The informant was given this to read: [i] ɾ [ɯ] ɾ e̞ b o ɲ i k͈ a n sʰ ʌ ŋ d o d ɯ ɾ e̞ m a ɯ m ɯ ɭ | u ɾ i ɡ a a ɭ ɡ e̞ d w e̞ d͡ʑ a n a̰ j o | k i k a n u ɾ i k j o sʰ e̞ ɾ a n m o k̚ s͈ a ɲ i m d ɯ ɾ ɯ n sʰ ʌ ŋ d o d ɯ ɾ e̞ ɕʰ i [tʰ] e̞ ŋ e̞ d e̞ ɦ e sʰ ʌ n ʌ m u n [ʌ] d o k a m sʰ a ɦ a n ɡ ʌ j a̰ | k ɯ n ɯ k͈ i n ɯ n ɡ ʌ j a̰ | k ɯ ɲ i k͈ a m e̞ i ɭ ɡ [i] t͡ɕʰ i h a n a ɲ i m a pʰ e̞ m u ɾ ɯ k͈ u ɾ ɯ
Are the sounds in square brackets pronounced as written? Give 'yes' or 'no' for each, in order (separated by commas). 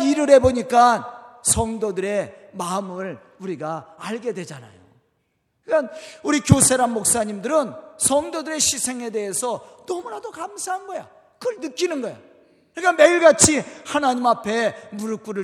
yes, yes, no, no, no